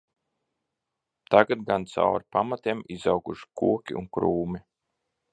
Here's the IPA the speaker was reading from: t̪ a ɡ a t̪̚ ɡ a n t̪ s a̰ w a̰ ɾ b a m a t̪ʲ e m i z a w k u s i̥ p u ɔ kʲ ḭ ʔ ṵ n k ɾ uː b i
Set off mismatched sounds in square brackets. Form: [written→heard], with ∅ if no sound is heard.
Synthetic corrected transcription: t̪ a ɡ a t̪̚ ɡ a n t̪ s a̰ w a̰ ɾ [b→p] a m a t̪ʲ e m i z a w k u [s→ʃ] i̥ [p→k] u ɔ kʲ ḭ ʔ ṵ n k ɾ uː [b→m] i